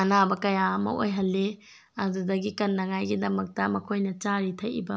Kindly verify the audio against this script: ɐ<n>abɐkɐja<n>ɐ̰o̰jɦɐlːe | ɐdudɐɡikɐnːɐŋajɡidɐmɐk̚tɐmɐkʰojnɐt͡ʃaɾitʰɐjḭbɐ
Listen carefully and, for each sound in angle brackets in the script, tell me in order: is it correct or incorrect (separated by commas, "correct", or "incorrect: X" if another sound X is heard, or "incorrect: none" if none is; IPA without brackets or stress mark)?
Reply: correct, incorrect: m